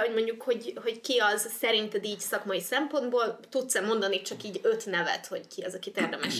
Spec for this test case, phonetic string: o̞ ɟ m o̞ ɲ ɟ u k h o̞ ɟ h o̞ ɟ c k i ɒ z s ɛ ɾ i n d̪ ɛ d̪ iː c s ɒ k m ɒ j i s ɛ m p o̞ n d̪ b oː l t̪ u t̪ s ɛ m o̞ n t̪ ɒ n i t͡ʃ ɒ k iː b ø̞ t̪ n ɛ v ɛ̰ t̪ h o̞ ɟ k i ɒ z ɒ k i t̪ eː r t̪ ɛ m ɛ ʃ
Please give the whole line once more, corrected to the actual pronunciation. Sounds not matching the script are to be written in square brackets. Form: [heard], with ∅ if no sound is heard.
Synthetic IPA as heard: o̞ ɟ m o̞ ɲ ɟ u k h o̞ ɟ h o̞ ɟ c k i ɒ z s ɛ ɾ i n [t̪] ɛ d̪ iː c s ɒ k m ɒ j i s ɛ m p o̞ n d̪ b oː l t̪ u t̪ s ɛ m o̞ n [d̪] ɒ n i t͡ʃ ɒ k iː [ɟ] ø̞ t̪ n ɛ v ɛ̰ t̪ h o̞ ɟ k i ɒ z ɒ k i t̪ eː r [d̪] ɛ m ɛ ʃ